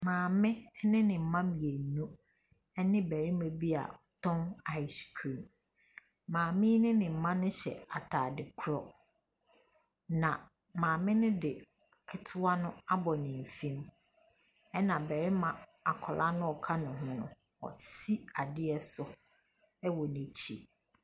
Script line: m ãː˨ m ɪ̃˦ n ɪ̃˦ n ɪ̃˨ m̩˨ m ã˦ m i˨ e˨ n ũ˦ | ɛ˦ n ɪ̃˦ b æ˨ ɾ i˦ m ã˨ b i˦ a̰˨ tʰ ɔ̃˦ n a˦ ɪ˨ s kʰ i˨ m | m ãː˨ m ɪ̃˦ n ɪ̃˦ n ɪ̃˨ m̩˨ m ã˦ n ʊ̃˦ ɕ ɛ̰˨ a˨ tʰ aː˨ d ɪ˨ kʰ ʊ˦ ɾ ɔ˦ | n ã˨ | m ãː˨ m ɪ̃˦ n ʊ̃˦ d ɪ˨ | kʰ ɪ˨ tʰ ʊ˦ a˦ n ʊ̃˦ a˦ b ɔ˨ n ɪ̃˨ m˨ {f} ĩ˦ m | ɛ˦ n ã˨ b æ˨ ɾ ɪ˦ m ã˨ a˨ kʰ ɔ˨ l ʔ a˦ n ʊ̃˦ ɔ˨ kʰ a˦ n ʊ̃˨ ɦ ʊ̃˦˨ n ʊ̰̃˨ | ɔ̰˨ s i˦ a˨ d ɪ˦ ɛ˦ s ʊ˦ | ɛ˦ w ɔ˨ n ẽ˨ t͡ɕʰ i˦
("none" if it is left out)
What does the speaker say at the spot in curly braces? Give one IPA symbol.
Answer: f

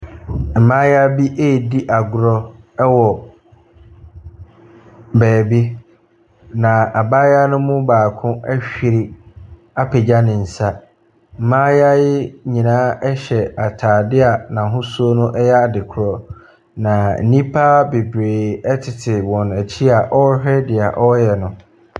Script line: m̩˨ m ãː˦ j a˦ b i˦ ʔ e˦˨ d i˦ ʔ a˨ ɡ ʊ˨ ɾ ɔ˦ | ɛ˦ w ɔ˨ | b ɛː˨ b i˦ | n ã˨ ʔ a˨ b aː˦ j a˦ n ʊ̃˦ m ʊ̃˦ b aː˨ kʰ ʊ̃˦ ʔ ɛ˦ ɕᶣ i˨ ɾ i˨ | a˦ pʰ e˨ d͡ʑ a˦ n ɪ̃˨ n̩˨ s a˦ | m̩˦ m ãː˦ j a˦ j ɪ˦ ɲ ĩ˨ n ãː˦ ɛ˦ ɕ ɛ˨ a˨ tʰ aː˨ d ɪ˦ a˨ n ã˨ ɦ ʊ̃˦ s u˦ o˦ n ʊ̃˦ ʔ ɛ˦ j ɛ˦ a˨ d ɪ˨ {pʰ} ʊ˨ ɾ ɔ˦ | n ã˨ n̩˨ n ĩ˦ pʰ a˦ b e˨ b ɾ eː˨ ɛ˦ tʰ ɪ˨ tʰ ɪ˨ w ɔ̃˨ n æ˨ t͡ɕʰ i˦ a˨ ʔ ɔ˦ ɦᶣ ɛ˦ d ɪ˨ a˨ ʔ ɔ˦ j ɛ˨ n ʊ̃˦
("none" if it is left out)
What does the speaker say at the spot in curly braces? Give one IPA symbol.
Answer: kʰ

